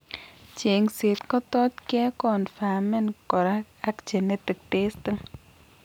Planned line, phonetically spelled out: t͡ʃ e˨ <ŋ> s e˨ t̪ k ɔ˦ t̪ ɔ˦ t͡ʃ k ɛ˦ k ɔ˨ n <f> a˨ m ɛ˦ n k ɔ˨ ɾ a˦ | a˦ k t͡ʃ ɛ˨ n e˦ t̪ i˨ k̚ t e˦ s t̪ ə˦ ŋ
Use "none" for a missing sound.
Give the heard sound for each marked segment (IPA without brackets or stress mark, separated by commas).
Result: ŋ, f